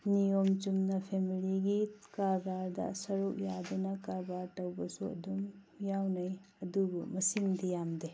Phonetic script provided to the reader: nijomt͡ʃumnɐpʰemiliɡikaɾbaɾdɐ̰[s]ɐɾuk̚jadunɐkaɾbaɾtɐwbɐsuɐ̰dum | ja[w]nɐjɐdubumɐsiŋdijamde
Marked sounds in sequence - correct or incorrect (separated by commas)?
correct, correct